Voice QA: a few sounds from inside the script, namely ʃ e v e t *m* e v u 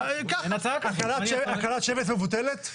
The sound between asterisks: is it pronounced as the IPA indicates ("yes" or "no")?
yes